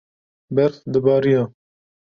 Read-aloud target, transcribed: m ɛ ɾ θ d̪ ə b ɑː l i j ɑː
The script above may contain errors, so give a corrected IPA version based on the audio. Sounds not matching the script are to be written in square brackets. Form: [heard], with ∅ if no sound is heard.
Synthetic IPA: [b] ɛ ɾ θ d̪ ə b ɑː [ɾ] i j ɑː